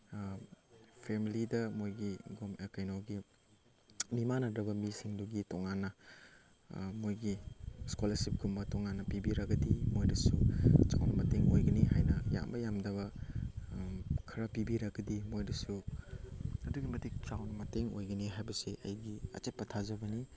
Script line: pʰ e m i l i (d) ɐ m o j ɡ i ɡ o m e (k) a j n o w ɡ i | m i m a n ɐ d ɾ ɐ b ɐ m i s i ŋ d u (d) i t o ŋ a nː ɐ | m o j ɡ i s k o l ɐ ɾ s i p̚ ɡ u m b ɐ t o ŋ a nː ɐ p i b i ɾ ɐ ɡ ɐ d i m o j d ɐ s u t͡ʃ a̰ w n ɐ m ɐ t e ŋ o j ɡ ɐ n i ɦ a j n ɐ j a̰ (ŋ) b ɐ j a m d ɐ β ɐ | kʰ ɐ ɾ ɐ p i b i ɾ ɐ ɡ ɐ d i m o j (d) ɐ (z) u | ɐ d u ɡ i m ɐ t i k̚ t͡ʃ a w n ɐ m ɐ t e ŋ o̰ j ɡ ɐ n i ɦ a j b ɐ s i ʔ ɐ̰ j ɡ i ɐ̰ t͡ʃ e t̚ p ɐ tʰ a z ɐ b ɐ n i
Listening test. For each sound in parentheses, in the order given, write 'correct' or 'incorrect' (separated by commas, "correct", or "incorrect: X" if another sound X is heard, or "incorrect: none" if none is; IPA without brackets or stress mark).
correct, correct, incorrect: ɡ, incorrect: m, correct, incorrect: s